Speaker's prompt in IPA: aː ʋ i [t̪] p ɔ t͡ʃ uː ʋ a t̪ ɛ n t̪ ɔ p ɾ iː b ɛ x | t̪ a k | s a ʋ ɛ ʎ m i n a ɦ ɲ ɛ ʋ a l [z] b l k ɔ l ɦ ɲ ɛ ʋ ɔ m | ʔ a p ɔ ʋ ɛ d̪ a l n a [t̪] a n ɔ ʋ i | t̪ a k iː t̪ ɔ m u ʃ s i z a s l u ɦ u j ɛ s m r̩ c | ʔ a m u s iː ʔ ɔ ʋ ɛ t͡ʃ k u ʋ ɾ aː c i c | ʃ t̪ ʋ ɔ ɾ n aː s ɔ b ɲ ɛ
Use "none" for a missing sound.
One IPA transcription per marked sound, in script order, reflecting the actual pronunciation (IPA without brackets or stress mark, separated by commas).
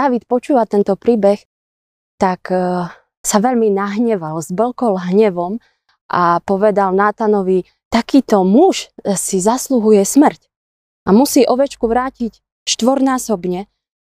t̪, z, t̪